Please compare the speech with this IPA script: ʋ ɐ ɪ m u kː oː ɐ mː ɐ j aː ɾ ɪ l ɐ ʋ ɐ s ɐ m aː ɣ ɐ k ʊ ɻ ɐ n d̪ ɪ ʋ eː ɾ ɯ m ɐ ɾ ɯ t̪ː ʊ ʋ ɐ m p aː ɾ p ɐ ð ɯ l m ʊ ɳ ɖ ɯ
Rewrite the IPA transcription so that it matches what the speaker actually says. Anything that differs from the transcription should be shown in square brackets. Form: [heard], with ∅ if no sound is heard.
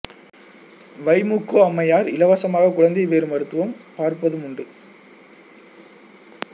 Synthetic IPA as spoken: ʋ ɐ ɪ m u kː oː ɐ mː ɐ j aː ɾ ɪ l ɐ ʋ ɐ s ɐ m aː ɣ ɐ k ʊ ɻ ɐ n d̪ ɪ ʋ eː ɾ ɯ m ɐ ɾ ɯ t̪ː [ɯ] ʋ ɐ m p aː ɾ p ɐ ð ɯ [∅] m ʊ ɳ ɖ ɯ